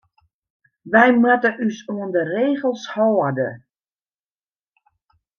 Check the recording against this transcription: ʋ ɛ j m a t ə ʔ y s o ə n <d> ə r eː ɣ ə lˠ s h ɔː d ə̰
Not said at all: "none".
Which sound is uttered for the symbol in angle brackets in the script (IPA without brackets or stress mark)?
d